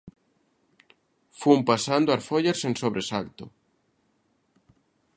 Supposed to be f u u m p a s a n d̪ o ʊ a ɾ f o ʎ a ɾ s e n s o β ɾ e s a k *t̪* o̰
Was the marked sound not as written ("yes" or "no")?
no